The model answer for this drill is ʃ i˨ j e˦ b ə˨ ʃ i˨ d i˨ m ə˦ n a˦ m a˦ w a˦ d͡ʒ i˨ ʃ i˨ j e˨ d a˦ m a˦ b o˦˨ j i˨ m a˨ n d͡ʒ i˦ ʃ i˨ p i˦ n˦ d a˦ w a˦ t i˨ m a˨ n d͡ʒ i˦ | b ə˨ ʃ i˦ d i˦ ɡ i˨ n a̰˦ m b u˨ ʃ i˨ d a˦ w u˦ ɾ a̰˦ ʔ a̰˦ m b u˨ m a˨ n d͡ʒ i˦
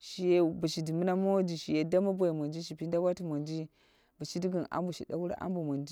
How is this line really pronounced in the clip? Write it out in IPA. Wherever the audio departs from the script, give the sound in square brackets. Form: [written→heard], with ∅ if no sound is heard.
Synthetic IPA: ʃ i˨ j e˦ b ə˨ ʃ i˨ d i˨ m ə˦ n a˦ m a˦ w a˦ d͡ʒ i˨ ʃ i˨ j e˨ d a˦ m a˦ b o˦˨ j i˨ m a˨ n d͡ʒ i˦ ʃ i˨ p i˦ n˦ d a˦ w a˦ t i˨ m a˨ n d͡ʒ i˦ | b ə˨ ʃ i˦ d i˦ ɡ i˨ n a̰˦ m b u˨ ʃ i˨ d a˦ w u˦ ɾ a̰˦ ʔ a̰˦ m b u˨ m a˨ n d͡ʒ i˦